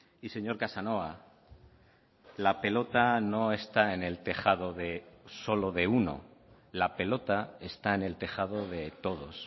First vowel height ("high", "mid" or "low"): high